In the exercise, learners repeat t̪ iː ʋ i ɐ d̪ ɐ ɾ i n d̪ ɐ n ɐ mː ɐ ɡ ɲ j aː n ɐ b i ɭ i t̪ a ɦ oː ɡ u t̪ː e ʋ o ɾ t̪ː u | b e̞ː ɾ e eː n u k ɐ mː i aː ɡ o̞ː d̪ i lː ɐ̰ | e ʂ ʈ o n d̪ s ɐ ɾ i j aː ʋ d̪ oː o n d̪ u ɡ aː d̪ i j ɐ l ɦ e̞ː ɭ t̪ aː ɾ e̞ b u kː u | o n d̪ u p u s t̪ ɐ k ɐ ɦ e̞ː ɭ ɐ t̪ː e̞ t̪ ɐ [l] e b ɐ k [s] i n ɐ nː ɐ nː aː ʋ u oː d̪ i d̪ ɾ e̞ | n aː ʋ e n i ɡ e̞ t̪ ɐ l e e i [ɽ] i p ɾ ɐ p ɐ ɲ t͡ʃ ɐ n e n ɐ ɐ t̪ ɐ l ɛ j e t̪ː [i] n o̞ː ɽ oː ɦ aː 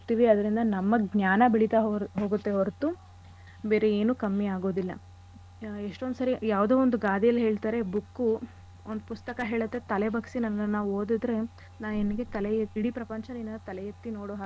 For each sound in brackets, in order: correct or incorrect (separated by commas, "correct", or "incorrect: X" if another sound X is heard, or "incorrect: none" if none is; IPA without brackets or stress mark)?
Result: correct, correct, correct, correct